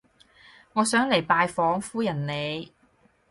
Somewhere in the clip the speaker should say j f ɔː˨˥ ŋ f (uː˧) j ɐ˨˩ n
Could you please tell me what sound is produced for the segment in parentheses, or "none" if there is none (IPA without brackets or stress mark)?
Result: uː˥